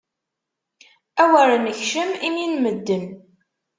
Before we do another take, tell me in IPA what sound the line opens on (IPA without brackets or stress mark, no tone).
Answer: æ